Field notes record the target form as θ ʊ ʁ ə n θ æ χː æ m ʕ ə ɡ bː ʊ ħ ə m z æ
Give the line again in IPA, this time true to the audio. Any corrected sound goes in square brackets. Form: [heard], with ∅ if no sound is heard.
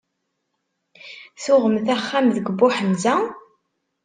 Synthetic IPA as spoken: θ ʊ ʁ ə [m] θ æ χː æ m [ð] ə ɡ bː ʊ ħ ə m z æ